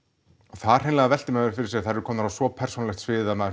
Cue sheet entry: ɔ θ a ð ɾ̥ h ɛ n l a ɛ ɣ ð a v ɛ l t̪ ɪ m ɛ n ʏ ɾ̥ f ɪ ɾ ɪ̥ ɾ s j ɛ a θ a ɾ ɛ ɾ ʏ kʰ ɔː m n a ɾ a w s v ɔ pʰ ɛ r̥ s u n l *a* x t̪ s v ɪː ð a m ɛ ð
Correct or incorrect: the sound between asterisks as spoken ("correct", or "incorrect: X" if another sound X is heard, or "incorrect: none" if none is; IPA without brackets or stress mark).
incorrect: ɛ